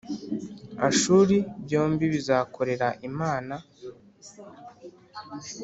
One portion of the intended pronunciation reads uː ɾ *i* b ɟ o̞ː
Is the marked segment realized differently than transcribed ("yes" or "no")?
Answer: no